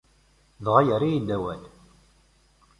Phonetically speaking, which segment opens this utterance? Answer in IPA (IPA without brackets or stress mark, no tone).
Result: ð